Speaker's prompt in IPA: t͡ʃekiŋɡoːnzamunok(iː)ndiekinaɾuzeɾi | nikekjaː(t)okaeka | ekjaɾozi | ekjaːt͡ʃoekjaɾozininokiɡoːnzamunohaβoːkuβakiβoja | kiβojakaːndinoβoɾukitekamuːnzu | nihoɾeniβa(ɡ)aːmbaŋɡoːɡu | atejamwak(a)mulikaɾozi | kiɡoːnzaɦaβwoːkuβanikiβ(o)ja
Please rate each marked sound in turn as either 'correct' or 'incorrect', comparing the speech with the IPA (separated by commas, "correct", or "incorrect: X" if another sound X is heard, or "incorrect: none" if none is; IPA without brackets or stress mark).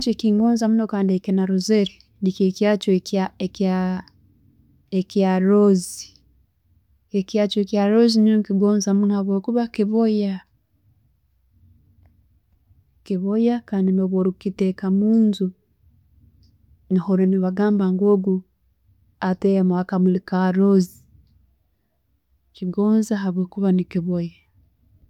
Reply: incorrect: aː, incorrect: t͡ʃ, correct, correct, correct